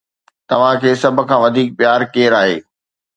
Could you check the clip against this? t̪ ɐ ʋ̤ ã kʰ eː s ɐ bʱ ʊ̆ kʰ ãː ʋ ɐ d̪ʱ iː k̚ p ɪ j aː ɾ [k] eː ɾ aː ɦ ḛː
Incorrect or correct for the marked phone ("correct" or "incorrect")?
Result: correct